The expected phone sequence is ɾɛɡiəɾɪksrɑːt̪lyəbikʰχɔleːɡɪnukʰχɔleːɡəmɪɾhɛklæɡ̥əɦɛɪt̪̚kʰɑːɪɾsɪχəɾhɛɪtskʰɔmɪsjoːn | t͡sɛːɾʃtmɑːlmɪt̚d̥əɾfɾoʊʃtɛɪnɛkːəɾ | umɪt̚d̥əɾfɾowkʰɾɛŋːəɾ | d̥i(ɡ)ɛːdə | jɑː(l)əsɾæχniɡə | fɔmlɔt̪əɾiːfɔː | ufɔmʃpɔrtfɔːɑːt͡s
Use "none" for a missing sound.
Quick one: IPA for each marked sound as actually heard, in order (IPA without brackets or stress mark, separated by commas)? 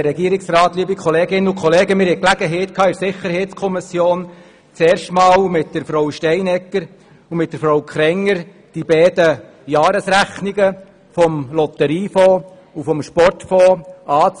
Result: b, ɾ